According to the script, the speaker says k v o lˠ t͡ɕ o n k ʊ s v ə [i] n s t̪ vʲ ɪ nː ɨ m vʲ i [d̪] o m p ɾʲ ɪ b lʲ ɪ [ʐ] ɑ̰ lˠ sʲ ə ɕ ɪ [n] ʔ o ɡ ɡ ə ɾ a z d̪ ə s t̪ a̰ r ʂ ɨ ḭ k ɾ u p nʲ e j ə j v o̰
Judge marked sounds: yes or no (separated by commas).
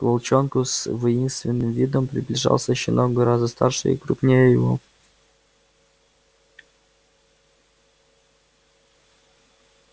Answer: yes, yes, yes, yes